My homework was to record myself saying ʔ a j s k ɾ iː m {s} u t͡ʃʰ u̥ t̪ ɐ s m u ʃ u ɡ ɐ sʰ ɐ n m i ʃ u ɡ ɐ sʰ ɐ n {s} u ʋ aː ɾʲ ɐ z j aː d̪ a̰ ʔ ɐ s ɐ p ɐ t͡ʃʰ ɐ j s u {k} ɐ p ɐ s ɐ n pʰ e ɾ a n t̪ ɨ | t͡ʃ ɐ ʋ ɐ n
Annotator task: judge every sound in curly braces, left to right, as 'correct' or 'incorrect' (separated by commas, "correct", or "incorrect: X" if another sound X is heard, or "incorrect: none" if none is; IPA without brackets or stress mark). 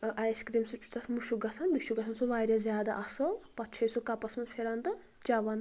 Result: correct, correct, correct